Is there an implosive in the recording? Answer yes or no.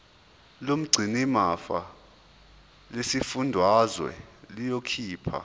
no